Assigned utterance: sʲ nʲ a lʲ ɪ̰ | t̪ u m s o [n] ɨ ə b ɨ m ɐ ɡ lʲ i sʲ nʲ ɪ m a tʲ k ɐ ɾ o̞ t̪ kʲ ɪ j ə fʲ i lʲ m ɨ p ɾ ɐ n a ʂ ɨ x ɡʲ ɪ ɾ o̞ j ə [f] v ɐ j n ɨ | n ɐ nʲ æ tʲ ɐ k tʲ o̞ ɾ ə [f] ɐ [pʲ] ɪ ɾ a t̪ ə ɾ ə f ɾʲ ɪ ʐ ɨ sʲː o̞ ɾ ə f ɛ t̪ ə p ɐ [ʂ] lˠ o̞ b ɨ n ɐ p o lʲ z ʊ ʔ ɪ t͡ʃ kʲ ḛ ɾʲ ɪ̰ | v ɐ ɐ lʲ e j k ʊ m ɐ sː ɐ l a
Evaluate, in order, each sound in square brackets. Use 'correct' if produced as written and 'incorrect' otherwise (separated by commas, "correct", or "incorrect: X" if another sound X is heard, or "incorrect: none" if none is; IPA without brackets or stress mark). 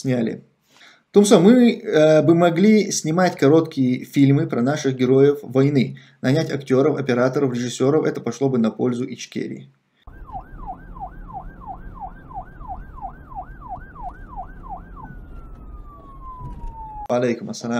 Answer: incorrect: m, correct, correct, correct, correct